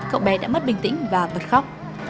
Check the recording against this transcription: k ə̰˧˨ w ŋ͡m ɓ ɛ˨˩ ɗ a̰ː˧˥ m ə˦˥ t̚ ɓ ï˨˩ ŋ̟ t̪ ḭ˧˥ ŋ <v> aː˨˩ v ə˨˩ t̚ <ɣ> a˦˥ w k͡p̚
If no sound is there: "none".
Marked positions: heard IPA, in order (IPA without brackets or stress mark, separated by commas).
v, x